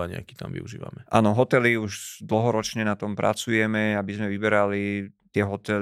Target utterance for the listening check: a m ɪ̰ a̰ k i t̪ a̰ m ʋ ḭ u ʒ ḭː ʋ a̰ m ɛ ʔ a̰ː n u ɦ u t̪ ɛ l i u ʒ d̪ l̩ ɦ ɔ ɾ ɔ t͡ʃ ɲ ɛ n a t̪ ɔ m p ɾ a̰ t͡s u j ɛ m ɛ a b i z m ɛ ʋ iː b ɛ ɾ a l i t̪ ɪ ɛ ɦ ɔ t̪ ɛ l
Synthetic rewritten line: a ɲ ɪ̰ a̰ k i t̪ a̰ m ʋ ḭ u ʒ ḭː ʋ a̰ m ɛ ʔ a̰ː n ɔ ɦ ɔ t̪ ɛ l i u ʒ d̪ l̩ ɦ ɔ ɾ ɔ t͡ʃ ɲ ɛ n a t̪ ɔ m p ɾ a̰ t͡s u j ɛ m ɛ a b i z m ɛ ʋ i b ɛ ɾ a l i t̪ ɪ ɛ ɦ ɔ t̪ ɛ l